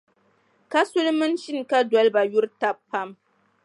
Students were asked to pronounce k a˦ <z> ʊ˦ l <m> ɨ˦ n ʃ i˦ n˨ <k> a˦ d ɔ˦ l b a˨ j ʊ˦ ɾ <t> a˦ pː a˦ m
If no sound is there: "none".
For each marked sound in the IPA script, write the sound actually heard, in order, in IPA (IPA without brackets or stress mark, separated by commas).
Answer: s, m, k, t